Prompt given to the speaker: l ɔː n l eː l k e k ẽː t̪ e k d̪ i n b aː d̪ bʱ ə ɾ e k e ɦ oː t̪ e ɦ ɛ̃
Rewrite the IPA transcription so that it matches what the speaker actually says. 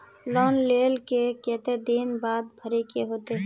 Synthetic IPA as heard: l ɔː n l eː l k e k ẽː t̪ e d̪ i n b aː d̪ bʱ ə ɾ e k e ɦ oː t̪ e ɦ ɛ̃